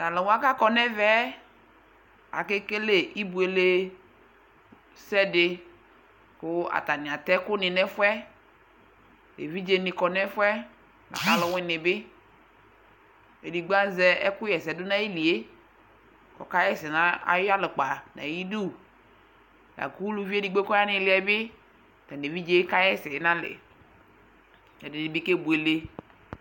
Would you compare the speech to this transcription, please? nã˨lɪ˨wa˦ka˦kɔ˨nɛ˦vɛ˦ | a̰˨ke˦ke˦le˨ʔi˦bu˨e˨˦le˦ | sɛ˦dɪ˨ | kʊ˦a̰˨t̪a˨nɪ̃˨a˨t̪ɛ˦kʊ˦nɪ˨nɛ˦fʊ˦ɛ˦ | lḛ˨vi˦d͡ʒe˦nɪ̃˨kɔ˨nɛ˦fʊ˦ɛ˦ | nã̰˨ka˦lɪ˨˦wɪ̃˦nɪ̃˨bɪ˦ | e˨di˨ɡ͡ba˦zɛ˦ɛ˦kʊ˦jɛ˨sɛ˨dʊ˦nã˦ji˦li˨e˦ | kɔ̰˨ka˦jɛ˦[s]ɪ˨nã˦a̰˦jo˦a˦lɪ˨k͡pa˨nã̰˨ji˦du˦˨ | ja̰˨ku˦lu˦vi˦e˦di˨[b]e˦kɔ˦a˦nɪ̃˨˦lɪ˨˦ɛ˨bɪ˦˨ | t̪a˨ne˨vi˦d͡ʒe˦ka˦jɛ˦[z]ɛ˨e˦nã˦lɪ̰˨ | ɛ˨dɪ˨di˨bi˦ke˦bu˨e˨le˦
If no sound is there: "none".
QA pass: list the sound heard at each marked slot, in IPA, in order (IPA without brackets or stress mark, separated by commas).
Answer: s, ɡ͡b, s